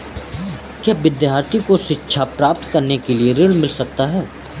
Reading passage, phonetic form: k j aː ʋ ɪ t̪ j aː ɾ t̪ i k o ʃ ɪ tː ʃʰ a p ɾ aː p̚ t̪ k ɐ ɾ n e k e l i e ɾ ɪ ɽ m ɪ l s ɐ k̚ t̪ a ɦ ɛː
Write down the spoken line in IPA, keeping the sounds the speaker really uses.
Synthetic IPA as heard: k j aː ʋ ɪ d̪ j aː ɾ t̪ i k o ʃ ɪ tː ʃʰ a p ɾ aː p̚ t̪ k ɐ ɾ n e k e l i e ɾ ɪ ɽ m ɪ l s ɐ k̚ t̪ a ɦ ɛː